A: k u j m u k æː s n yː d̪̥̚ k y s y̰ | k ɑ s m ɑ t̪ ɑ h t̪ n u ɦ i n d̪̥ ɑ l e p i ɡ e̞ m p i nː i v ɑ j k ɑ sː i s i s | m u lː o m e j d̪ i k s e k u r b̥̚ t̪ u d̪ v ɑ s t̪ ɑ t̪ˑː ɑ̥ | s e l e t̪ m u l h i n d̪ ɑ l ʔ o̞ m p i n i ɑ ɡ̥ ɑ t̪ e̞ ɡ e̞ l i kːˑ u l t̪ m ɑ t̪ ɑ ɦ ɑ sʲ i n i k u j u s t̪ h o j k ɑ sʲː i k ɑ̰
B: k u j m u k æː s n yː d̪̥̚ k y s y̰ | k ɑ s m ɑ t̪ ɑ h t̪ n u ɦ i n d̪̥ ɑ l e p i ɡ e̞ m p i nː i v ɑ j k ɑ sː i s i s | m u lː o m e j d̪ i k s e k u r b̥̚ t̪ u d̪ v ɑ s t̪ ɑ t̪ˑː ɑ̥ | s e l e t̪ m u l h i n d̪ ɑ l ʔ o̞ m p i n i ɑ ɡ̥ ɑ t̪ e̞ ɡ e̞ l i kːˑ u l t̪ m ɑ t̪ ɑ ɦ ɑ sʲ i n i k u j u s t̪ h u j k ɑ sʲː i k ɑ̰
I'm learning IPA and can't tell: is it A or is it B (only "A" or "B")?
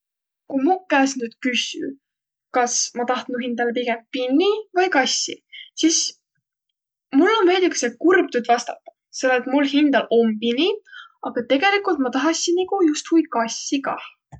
B